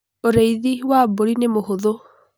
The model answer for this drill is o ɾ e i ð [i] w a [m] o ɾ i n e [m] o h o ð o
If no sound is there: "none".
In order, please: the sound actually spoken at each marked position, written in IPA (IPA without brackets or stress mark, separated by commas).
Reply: i, b, m